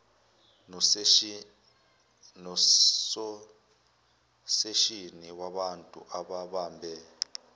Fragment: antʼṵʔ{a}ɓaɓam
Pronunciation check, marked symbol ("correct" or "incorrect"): correct